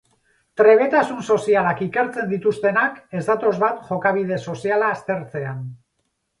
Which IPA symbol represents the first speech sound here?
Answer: t̪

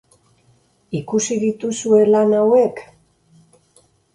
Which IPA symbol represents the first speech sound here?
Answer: i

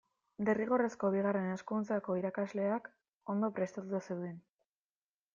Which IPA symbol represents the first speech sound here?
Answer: d̪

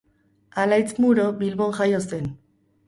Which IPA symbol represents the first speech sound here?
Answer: a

